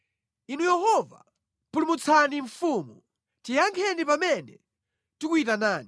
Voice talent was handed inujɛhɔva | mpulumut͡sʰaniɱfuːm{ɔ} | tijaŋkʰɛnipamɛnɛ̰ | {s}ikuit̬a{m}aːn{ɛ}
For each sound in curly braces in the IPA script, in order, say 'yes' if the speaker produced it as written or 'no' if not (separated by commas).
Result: no, no, no, no